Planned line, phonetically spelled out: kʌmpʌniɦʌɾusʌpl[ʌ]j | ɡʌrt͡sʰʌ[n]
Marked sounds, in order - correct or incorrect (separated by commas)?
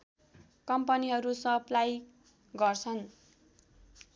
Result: incorrect, correct